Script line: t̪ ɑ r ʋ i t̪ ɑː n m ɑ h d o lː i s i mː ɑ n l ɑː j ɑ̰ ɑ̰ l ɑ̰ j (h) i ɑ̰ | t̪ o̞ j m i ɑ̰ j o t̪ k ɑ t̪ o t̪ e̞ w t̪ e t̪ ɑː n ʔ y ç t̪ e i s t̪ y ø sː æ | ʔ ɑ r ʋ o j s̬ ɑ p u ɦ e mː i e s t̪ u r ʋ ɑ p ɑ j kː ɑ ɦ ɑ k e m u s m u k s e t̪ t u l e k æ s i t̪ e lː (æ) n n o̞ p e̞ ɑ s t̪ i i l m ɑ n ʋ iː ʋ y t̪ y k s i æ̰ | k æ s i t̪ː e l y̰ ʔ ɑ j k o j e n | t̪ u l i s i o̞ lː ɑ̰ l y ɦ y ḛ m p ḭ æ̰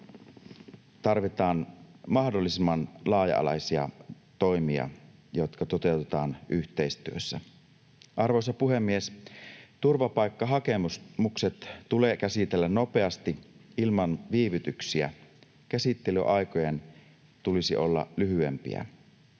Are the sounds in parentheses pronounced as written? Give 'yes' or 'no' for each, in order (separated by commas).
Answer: no, yes